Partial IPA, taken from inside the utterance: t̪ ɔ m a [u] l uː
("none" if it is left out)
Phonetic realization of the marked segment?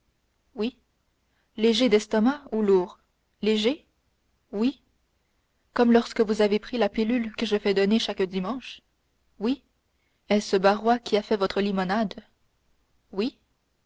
u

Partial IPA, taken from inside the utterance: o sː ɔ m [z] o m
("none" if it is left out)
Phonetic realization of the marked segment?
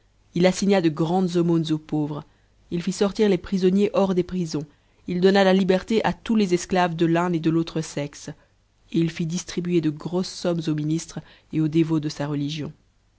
z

